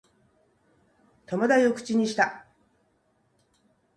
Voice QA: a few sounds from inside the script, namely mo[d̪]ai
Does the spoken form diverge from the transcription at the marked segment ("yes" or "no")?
no